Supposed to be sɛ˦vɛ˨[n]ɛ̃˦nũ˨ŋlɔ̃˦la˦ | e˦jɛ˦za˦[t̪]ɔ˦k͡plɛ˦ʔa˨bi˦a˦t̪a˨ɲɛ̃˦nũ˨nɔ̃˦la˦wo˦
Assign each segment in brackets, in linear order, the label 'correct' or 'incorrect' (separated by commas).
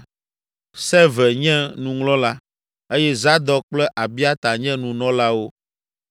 incorrect, incorrect